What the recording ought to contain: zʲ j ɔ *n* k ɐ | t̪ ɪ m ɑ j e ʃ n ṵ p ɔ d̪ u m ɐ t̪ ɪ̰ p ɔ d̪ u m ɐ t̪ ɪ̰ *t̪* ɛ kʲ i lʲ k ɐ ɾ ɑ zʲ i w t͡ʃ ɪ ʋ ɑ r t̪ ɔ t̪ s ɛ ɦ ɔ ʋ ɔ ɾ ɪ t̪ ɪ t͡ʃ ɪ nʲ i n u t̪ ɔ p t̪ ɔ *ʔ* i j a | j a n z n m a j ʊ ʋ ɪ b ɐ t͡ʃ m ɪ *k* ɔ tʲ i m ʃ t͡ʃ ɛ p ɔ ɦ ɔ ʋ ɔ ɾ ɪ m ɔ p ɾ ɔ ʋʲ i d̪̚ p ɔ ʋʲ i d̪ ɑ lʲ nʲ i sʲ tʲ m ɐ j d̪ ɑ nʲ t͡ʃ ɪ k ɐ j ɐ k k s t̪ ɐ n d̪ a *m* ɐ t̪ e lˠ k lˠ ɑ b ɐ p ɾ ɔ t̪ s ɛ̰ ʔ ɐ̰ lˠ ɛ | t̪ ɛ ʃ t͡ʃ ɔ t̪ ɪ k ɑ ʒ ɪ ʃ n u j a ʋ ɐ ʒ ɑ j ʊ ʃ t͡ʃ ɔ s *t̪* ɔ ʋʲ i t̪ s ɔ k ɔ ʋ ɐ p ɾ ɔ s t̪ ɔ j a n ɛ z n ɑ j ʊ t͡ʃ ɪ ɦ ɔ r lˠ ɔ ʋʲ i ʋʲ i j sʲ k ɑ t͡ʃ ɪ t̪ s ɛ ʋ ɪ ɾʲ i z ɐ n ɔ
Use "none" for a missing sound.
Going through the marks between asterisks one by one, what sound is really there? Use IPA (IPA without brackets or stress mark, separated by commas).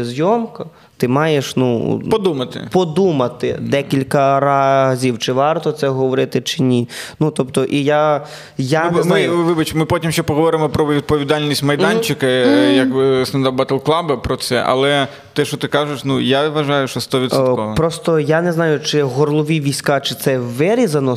m, d̪, ʔ, p, b, t̪